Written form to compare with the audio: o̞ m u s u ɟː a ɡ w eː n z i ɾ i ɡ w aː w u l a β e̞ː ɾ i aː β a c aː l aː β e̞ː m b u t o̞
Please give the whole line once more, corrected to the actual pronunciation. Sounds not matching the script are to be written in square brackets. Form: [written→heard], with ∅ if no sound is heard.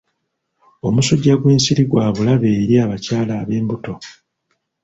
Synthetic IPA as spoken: o̞ m u s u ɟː a ɡ w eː n [z→s] i ɾ i ɡ w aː [w→β] u l a β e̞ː ɾ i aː β a c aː l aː β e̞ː m b u t o̞